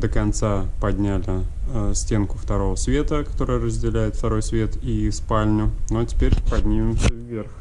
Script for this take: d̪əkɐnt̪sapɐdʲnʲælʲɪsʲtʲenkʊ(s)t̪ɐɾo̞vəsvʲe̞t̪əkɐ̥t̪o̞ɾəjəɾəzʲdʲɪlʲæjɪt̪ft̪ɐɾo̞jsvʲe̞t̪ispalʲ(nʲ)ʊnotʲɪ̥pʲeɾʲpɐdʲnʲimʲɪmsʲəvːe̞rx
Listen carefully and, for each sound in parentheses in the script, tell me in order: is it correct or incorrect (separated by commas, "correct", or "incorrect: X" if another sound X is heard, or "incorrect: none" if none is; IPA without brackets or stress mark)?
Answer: incorrect: f, correct